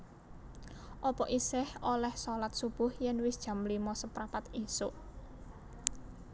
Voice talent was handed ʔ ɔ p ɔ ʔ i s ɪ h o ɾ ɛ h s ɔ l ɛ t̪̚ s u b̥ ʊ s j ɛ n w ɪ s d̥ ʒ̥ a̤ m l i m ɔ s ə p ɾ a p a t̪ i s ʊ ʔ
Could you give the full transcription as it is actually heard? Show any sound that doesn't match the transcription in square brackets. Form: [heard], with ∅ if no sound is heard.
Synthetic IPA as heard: ʔ ɔ p ɔ ʔ i s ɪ h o [l] ɛ h s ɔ l [a] t̪̚ s u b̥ ʊ [h] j ɛ n w ɪ s d̥ ʒ̥ a̤ m l i m ɔ s ə p ɾ a p a t̪ i s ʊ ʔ